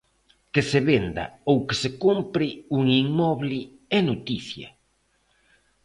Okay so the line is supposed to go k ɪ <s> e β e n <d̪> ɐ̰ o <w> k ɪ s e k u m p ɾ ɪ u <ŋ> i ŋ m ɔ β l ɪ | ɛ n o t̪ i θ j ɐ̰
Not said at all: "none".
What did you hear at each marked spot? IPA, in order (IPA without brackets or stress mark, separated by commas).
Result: s, d̪, w, ŋ